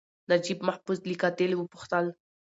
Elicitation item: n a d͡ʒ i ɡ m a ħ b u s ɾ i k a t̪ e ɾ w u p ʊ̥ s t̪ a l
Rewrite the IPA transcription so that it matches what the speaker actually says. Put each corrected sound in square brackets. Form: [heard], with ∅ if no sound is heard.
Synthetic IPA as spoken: n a d͡ʒ i [b] m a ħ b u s [l] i k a t̪ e [l] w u p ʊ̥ [x] t̪ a l